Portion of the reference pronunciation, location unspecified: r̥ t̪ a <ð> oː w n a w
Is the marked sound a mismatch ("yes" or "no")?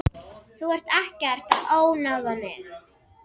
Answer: no